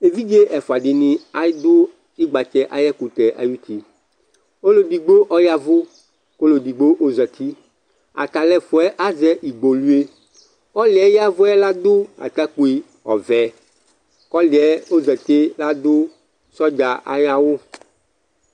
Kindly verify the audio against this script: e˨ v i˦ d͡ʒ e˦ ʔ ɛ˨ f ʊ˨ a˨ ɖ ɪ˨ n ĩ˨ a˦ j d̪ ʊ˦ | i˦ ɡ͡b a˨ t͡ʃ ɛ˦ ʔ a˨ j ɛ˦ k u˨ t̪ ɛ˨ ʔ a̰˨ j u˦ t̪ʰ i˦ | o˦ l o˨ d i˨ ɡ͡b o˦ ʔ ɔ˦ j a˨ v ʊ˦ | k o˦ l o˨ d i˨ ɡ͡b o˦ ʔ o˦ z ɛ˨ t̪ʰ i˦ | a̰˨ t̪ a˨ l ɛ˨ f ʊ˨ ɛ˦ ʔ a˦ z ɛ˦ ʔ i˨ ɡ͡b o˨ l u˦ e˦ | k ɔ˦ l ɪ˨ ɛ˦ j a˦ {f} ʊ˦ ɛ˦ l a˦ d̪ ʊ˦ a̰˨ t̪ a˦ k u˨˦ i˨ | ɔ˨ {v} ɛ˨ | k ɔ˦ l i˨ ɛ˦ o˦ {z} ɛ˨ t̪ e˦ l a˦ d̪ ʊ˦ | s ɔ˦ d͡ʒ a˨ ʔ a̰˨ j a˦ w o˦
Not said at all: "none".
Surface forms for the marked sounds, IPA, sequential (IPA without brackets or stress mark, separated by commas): v, v, z